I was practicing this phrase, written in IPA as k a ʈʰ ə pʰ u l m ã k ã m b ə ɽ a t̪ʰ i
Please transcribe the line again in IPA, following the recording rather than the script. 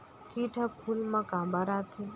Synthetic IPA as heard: k i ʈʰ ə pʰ u l m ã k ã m b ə ɾ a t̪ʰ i